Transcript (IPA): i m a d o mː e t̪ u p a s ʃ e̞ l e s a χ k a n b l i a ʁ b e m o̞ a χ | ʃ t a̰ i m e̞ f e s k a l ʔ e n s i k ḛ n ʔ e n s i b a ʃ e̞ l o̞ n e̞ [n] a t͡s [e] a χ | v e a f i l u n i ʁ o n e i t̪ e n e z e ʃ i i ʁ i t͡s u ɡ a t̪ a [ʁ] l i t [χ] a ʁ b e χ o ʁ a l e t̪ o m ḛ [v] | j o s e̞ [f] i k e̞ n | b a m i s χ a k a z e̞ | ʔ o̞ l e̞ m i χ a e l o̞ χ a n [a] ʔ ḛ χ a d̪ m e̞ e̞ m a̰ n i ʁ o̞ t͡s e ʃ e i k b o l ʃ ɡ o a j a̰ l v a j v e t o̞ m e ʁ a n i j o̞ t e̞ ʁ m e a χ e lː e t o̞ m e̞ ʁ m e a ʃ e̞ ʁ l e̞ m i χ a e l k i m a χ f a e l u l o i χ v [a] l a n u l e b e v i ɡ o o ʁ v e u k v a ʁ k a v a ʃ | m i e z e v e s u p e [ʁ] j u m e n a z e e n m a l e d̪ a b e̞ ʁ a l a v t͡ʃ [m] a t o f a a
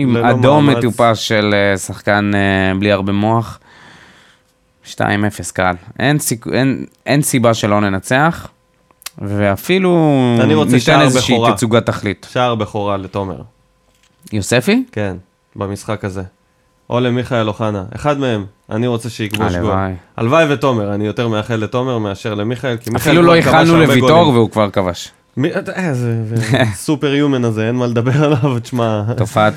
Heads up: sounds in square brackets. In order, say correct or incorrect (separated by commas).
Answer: correct, correct, incorrect, incorrect, incorrect, correct, correct, correct, correct, correct